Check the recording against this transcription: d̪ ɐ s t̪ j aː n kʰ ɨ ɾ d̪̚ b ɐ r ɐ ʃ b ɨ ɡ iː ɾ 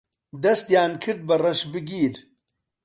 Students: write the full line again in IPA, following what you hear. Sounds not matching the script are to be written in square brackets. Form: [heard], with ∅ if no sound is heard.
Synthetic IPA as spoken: d̪ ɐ s t̪ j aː n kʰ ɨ ɾ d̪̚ b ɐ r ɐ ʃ b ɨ ɡ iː ɾ